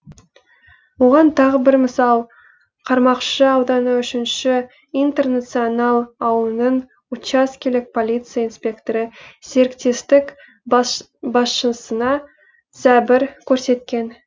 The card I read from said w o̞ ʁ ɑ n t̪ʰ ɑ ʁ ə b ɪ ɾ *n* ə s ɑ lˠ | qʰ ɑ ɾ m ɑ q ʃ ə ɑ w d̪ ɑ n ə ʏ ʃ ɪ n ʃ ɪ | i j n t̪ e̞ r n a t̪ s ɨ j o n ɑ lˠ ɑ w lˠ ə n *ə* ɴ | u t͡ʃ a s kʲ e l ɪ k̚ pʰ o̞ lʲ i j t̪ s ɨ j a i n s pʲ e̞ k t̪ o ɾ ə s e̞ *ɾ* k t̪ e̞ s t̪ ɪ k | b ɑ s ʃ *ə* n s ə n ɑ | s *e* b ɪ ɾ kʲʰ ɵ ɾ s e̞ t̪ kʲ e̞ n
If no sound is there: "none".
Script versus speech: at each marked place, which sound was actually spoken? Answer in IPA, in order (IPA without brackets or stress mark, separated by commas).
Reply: m, ə, ɾ, ə, æ